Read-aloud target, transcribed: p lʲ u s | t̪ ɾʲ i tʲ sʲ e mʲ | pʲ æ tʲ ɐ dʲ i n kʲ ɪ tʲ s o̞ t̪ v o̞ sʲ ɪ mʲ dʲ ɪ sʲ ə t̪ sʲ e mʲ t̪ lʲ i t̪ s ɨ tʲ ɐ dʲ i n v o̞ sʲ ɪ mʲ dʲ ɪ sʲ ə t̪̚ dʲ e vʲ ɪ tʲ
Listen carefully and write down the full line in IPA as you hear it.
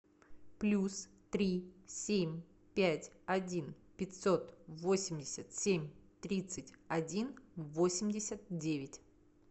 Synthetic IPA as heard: p lʲ u s | t̪ ɾʲ i sʲ e mʲ | pʲ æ tʲ ɐ dʲ i n pʲ ɪ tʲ s o̞ t̪ v o̞ sʲ ɪ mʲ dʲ ɪ sʲ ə t̪ sʲ e mʲ t̪ ɾʲ i t̪ s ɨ tʲ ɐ dʲ i n v o̞ sʲ ɪ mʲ dʲ ɪ sʲ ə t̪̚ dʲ e vʲ ɪ tʲ

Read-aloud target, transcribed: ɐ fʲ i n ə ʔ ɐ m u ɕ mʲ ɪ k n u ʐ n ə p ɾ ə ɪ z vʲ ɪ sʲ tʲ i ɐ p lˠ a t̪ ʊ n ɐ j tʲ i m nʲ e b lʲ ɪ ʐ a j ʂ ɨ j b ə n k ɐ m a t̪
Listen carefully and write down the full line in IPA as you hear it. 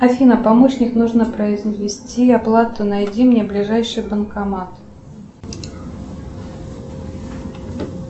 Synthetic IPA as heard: ɐ fʲ i n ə p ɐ m o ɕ nʲ ɪ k n u ʐ n ə p ɾ ə ɪ z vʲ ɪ sʲ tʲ i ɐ p lˠ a t̪ ʊ n ɐ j dʲ i m nʲ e b lʲ ɪ ʐ a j ʂ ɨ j b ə n k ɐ m a t̪

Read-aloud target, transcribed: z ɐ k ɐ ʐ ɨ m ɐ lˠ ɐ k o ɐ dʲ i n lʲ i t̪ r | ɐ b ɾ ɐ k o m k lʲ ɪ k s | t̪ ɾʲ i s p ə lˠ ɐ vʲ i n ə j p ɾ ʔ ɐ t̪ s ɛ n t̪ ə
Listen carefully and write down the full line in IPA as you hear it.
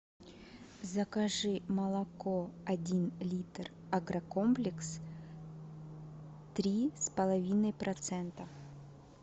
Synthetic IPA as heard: z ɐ k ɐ ʐ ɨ m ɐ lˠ ɐ k o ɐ dʲ i n lʲ i t̪ r | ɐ ɡ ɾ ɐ k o m p lʲ ɪ k s | t̪ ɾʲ i s p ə lˠ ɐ vʲ i n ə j p ɾ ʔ ɐ t̪ s ɛ n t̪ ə

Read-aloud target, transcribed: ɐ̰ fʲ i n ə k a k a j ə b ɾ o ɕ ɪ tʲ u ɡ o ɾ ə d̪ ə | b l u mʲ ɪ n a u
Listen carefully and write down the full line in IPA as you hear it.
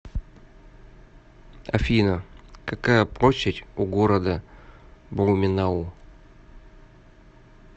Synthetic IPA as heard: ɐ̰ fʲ i n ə k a k a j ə p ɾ o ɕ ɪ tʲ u ɡ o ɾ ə d̪ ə | b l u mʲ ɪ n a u

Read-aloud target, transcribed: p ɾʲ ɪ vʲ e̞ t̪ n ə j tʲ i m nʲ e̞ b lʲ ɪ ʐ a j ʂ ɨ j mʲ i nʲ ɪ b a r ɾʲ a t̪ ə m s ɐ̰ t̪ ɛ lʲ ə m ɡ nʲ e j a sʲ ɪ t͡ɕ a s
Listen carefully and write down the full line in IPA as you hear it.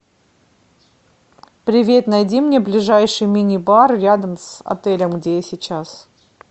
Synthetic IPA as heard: p ɾʲ ɪ vʲ e̞ t̪ n ɐ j dʲ i m nʲ e̞ b lʲ ɪ ʐ a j ʂ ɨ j mʲ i nʲ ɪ b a r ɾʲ a d̪ ə m s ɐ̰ t̪ ɛ lʲ ə m ɡ dʲ e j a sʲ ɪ t͡ɕ a s

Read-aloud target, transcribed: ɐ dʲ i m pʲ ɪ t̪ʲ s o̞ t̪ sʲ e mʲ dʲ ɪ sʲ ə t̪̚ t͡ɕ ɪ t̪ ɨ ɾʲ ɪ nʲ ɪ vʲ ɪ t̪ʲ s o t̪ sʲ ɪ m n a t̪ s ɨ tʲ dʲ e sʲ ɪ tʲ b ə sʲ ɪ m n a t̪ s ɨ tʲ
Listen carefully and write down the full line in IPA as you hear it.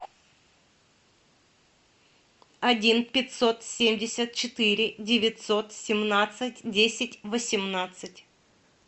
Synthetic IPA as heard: ɐ dʲ i n pʲ ɪ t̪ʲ s o̞ t̪ sʲ e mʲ dʲ ɪ sʲ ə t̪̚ t͡ɕ ɪ t̪ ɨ ɾʲ ɪ dʲ ɪ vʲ ɪ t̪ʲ s o t̪ sʲ ɪ m n a t̪ s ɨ tʲ dʲ e sʲ ɪ tʲ v ə sʲ ɪ m n a t̪ s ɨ tʲ

